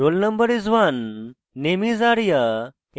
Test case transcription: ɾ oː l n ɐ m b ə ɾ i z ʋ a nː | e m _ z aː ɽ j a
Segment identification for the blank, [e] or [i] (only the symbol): i